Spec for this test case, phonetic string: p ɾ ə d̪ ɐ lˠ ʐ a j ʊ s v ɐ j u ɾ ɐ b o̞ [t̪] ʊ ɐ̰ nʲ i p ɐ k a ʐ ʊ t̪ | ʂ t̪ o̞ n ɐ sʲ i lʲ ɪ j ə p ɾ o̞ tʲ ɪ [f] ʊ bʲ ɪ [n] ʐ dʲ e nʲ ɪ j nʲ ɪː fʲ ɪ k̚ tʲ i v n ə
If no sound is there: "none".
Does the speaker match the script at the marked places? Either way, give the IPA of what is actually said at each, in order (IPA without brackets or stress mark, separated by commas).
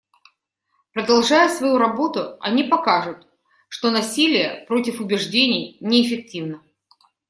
t̪, f, none